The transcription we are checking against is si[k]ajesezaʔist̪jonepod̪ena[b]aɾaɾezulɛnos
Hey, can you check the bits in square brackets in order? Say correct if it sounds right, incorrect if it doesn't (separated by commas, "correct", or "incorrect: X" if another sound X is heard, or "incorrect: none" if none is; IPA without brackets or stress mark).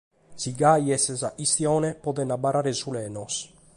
incorrect: ɡ, correct